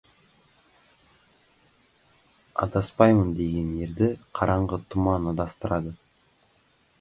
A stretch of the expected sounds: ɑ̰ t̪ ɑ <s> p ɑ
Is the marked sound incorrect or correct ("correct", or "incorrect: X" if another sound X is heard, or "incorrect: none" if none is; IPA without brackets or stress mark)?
correct